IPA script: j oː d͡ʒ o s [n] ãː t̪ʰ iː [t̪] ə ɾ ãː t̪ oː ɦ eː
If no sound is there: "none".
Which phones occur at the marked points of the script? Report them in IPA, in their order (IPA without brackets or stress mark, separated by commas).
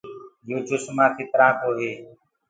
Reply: m, t̪